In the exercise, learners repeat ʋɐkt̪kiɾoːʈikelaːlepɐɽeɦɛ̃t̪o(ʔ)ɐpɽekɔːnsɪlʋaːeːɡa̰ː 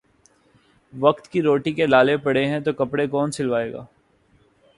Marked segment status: incorrect: k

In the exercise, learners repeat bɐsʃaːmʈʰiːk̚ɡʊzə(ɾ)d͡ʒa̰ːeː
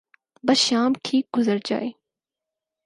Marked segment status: correct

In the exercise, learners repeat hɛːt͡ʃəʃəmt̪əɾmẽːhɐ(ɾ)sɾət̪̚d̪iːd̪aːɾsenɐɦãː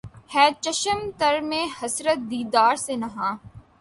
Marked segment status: incorrect: none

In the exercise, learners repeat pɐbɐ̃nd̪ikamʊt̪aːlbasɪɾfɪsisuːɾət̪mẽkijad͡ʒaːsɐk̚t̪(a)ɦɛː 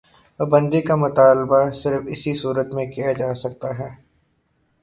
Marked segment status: correct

